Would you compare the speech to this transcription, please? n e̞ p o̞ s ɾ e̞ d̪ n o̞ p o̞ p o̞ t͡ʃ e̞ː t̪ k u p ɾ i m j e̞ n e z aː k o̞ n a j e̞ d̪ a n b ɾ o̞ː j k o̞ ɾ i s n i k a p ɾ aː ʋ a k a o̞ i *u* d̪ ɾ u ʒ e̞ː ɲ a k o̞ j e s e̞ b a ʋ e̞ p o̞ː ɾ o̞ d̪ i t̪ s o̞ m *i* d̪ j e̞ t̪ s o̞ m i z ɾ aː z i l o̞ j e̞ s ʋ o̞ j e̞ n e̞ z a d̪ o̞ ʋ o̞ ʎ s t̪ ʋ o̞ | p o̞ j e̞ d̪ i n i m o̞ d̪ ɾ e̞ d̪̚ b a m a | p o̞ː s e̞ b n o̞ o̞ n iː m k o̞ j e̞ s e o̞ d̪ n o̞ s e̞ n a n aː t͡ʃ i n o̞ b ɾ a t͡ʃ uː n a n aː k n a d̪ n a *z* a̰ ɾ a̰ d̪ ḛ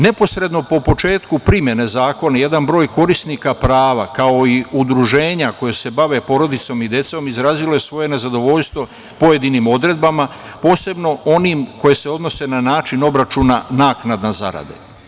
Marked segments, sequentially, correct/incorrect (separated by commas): correct, correct, correct